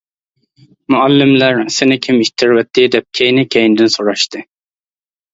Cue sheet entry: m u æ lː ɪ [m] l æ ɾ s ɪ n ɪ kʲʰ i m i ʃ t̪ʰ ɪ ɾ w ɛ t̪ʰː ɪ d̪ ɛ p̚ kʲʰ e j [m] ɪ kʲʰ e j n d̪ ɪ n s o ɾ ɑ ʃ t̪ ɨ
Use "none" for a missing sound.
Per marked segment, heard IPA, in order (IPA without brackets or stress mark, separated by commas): m, n